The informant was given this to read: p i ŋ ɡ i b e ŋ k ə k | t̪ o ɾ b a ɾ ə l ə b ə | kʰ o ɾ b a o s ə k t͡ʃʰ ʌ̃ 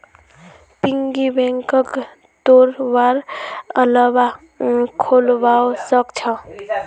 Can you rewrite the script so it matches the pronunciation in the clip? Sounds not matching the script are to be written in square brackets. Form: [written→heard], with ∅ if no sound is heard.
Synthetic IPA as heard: p i ŋ ɡ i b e ŋ k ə k | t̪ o ɾ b a ɾ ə l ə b [ə→a] | kʰ o [ɾ→l] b a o s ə k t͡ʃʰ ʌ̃